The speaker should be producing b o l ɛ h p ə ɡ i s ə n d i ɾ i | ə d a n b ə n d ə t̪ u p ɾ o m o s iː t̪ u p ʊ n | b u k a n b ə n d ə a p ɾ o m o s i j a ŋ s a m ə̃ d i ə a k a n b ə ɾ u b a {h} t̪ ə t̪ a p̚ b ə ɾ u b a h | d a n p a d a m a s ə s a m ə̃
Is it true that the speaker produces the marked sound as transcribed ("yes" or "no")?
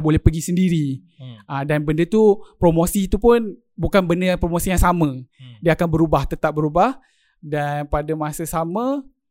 yes